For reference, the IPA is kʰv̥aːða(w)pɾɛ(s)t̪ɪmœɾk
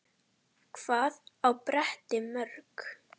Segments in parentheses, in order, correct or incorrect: correct, incorrect

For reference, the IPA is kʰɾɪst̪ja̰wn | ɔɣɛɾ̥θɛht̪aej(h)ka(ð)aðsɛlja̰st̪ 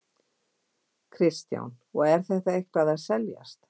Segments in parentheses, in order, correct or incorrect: correct, correct

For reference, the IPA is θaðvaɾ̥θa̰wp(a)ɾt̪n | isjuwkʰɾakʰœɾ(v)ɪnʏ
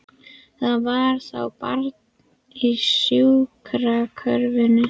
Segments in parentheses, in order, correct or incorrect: correct, correct

